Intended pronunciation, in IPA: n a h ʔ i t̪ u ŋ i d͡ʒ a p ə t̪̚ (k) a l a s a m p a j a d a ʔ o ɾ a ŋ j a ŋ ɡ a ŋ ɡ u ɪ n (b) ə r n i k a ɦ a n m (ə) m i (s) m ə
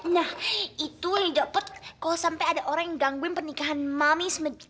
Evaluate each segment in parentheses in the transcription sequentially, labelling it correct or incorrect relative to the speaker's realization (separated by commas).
correct, incorrect, incorrect, correct